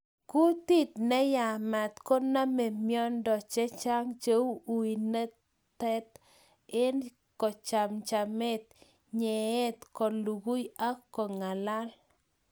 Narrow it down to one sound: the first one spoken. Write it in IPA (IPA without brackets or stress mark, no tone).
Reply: k